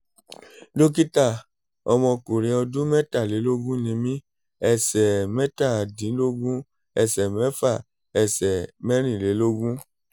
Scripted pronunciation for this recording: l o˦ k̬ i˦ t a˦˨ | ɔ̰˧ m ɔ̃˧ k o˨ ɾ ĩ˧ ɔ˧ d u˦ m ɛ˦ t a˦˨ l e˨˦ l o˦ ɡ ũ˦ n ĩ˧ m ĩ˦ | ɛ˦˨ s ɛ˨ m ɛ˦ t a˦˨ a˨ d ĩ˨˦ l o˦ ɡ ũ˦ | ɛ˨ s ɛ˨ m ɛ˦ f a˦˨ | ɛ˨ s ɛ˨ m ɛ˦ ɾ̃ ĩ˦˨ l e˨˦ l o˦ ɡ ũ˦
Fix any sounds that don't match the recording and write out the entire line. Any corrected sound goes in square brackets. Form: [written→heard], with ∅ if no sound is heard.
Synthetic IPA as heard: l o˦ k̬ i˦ t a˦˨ | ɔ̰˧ m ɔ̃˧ k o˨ ɾ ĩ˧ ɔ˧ d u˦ m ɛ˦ t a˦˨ l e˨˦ l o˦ ɡ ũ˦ n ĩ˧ m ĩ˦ | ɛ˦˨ s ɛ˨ m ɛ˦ t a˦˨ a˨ d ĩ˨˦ l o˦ ɡ ũ˦ | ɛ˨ s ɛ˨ m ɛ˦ f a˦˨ | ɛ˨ s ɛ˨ m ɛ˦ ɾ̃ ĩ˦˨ l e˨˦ l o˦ ɡ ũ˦